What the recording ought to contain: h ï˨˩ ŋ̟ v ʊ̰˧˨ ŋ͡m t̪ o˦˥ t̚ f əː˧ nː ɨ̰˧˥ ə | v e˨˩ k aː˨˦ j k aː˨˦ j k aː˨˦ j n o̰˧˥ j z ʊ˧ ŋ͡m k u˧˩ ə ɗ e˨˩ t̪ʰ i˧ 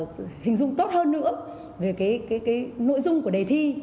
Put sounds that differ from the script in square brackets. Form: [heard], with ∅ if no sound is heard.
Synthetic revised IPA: h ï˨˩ ŋ̟ [z] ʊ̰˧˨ ŋ͡m t̪ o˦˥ t̚ [h] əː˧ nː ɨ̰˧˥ ə | v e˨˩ k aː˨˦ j k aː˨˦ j k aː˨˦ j n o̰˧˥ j z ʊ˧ ŋ͡m k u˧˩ ə ɗ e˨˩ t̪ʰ i˧